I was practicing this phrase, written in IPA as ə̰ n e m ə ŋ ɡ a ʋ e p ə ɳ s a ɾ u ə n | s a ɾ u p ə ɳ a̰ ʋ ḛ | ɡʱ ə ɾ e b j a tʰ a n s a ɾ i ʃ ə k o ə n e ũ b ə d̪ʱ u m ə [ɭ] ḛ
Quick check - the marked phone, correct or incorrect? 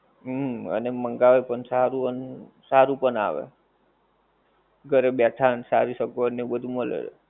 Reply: incorrect